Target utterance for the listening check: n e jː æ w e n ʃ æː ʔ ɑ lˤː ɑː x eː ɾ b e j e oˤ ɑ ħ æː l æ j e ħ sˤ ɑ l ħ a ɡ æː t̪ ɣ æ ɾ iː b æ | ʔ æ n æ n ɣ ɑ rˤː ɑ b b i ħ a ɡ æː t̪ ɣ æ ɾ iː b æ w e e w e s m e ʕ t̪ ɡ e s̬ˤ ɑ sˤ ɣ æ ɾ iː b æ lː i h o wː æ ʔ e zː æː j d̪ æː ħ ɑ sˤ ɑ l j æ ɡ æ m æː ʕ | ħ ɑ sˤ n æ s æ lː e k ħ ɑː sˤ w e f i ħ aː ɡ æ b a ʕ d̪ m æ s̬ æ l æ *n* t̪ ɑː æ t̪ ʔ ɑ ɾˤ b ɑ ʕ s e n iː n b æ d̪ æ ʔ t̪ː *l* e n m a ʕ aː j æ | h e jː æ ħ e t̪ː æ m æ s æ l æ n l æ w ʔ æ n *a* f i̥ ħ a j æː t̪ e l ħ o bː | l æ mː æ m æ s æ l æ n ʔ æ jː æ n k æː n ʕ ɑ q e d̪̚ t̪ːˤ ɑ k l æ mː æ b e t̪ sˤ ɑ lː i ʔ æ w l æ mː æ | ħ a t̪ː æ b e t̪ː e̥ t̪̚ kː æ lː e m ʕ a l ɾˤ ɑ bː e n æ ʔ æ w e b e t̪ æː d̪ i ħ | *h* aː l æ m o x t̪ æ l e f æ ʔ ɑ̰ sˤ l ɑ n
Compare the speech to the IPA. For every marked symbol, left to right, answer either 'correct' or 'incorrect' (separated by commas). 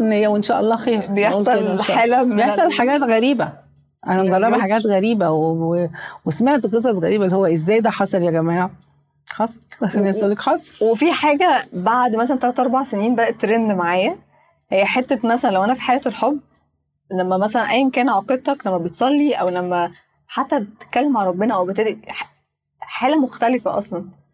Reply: correct, incorrect, incorrect, incorrect